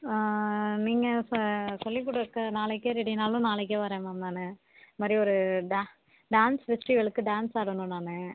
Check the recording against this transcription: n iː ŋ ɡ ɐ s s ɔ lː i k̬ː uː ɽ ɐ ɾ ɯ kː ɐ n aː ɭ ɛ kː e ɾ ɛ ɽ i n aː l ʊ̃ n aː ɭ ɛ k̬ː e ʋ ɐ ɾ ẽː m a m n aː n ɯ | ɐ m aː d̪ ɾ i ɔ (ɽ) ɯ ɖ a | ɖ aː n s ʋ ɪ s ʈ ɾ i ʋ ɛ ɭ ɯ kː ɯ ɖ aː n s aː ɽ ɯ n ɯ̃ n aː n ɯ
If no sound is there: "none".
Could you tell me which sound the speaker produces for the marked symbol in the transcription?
ɾ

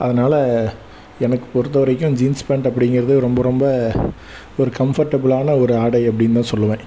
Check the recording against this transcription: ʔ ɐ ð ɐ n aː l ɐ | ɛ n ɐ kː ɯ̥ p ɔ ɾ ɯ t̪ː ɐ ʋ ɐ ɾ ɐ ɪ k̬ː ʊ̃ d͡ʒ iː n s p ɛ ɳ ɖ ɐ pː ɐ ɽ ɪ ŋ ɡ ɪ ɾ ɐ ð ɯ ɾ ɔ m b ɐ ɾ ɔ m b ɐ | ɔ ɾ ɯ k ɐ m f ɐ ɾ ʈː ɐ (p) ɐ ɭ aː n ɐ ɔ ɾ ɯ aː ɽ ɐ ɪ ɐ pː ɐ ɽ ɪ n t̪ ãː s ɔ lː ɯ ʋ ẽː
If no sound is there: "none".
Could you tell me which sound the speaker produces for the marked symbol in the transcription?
b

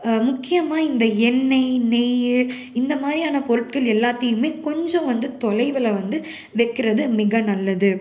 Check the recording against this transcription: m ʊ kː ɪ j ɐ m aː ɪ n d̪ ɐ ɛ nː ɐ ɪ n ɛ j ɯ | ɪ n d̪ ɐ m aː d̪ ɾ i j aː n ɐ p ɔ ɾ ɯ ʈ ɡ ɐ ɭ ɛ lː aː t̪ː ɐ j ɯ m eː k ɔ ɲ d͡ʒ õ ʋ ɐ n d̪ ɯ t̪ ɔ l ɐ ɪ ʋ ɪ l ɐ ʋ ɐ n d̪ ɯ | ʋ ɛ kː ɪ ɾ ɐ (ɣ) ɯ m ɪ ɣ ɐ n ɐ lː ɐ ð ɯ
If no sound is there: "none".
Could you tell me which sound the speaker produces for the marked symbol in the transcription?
ð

